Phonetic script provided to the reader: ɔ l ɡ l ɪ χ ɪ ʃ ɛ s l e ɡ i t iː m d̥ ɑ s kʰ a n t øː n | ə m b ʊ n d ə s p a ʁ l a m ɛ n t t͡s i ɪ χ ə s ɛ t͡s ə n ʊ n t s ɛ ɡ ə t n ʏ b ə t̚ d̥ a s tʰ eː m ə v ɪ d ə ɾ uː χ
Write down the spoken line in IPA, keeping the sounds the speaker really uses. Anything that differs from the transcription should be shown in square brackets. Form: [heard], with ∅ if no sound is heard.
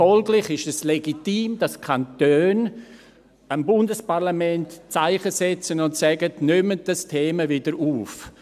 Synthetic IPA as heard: ɔ l ɡ l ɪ χ ɪ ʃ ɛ s l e ɡ i t iː m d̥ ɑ s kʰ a n t øː n | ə m b ʊ n d ə s p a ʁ l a m ɛ n t t͡s [a] ɪ χ ə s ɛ t͡s ə n ʊ n t s ɛ ɡ ə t n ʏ [m] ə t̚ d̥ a s tʰ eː m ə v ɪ d ə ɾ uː [f]